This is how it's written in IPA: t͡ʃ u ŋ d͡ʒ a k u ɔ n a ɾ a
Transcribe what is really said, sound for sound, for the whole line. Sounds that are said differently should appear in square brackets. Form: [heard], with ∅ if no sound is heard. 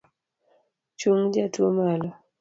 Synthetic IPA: t͡ʃ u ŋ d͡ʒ a [t] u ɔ [m] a [l] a